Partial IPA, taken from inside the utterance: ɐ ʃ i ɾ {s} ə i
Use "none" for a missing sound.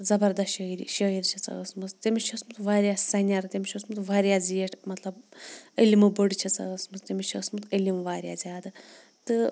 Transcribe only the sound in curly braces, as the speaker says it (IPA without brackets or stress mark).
ʃ